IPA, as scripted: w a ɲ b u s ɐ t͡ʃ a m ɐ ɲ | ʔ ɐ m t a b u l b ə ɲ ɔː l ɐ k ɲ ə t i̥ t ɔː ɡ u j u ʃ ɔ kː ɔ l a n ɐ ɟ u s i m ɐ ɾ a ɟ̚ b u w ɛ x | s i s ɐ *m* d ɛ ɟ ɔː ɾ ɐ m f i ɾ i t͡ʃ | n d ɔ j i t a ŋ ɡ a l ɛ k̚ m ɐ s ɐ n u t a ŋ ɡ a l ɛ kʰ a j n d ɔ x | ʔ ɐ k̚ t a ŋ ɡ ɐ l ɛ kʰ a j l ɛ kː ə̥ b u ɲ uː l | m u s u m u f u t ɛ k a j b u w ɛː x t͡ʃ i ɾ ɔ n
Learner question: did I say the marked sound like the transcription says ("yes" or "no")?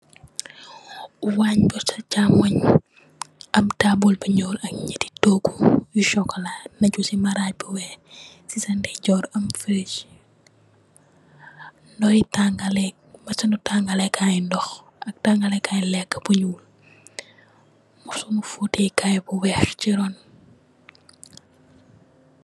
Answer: no